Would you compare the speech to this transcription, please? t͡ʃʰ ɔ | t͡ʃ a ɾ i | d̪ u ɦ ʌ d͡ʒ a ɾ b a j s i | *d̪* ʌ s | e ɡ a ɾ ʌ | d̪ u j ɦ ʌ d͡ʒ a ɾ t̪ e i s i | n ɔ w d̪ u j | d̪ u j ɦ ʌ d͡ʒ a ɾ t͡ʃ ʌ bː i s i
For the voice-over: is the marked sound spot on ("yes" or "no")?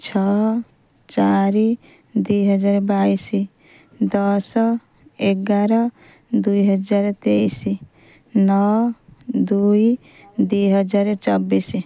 yes